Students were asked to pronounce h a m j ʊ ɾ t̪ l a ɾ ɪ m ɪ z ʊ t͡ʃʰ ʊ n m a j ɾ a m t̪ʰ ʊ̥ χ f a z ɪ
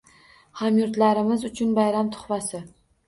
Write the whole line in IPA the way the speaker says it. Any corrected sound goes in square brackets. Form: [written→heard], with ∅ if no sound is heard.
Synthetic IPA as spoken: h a m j ʊ ɾ t̪ l a ɾ ɪ m ɪ z ʊ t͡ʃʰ ʊ n [m→b] a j ɾ a m t̪ʰ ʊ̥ χ [f→v] a [z→s] ɪ